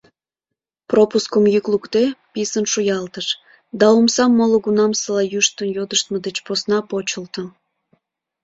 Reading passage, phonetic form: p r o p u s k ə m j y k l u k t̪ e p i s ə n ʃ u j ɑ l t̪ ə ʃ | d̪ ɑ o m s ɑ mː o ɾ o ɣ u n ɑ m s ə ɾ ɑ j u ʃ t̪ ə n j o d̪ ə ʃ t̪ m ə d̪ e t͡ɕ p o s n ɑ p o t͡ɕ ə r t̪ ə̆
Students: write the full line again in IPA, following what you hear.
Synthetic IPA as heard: p r o p u s k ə m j y k l u k t̪ e p i s ə n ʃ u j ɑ l t̪ ə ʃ | d̪ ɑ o m s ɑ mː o l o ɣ u n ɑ m s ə l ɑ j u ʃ t̪ ə n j o d̪ ə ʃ t̪ m ə d̪ e t͡ɕ p o s n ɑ p o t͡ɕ ə l t̪ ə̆